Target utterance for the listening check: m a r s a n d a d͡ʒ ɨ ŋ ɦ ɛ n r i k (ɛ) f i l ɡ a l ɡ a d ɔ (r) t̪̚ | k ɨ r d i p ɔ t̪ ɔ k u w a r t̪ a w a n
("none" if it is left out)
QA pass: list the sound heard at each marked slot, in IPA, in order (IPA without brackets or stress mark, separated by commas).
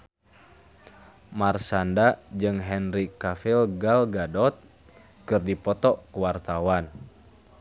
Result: a, none